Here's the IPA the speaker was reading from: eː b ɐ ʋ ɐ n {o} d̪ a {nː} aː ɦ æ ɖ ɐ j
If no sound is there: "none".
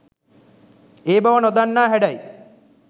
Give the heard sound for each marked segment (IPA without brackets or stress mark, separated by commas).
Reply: o, nː